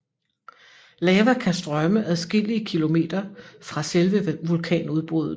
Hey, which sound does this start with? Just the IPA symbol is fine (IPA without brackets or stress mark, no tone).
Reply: l